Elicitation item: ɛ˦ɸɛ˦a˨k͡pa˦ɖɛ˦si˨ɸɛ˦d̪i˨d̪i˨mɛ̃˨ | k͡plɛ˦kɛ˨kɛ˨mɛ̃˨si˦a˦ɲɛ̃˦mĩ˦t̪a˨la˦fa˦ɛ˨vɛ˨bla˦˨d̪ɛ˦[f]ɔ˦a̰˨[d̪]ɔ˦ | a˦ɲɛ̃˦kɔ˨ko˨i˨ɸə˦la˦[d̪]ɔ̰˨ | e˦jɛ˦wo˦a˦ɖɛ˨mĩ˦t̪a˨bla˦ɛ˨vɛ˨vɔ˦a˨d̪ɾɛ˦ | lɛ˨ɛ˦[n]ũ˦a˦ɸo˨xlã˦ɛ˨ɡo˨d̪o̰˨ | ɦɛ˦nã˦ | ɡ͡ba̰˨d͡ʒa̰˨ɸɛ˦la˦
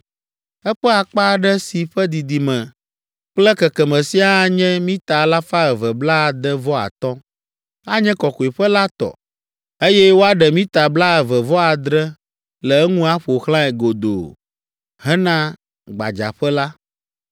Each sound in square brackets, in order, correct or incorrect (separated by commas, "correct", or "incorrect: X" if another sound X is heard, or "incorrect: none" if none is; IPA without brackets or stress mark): incorrect: v, incorrect: t̪, incorrect: t̪, incorrect: ŋ